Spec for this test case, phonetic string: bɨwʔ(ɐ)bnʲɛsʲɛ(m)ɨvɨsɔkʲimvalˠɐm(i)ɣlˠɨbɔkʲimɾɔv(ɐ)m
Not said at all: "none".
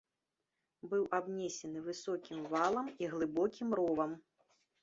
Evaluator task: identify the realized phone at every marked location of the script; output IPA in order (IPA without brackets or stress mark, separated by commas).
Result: a, n, i, ɐ